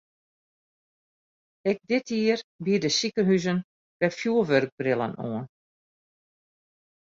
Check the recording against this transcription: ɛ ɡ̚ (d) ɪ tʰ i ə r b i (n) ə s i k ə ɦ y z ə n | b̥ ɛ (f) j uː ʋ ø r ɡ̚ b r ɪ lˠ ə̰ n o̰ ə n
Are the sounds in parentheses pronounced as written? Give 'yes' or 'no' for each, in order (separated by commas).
yes, no, yes